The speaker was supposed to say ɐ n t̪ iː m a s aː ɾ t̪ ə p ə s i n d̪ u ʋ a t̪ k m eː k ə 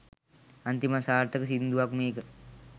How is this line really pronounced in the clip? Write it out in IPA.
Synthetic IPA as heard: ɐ n t̪ i m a s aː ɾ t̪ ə k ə s i n d̪ u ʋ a k m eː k ə